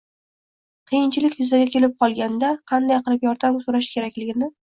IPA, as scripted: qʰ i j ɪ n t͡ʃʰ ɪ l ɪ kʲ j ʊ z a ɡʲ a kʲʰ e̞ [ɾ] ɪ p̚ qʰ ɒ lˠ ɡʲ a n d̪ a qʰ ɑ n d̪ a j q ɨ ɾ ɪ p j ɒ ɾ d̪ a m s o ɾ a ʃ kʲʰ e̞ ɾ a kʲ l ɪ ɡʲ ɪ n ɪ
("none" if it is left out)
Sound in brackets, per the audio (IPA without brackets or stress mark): l